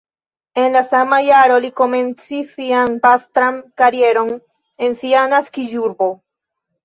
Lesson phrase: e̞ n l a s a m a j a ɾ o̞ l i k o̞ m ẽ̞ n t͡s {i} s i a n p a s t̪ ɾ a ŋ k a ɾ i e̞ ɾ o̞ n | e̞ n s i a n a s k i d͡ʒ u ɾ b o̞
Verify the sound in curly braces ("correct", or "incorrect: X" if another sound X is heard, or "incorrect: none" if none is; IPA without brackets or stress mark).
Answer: correct